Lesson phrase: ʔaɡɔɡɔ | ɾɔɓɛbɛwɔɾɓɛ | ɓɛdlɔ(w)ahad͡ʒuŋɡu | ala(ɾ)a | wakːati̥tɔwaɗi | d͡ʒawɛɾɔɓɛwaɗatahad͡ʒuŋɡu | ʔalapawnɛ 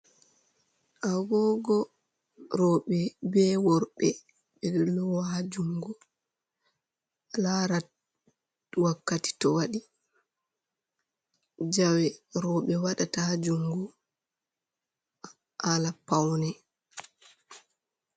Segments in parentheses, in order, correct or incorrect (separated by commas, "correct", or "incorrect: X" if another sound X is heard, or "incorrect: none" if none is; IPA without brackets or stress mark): correct, correct